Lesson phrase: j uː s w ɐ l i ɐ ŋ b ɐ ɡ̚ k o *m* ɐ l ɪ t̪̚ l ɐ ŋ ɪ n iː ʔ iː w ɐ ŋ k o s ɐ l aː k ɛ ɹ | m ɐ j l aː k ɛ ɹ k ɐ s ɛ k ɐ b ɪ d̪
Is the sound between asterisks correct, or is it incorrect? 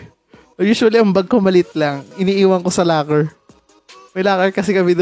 correct